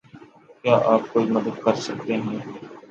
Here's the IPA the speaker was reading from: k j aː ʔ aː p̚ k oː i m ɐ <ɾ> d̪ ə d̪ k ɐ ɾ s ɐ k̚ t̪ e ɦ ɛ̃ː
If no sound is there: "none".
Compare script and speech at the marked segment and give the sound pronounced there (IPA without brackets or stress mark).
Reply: none